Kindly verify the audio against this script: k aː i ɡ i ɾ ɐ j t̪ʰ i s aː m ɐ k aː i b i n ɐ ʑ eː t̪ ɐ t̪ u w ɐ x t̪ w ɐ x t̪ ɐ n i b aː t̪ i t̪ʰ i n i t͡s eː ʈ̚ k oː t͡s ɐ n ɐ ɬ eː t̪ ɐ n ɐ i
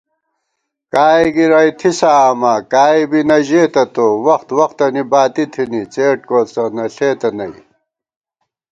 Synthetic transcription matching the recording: k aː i ɡ i ɾ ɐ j t̪ʰ i s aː m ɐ k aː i b i n ɐ ʑ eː t̪ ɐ t̪ o w ɐ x t̪ w ɐ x t̪ ɐ n i b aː t̪ i t̪ʰ i n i t͡s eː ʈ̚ k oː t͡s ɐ n ɐ ɬ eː t̪ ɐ n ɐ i